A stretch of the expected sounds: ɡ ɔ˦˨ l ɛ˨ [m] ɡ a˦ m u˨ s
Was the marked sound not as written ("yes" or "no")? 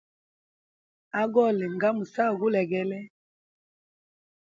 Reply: yes